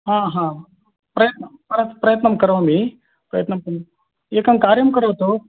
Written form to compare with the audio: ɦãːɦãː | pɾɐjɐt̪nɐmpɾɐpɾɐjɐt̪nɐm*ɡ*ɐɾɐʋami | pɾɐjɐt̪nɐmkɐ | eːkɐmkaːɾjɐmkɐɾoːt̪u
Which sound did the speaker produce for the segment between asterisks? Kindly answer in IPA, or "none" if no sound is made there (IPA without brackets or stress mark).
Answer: k